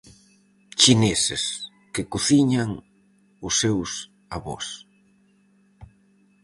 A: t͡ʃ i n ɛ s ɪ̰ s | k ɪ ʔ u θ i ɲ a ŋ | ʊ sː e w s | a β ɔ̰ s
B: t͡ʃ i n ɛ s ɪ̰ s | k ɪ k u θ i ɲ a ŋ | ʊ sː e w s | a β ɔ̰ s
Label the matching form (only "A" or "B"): B